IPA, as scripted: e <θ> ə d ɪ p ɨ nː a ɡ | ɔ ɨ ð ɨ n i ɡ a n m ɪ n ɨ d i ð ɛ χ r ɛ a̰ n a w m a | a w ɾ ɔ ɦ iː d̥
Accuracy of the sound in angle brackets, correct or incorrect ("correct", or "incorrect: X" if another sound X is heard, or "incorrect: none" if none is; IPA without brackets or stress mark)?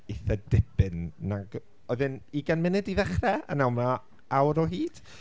correct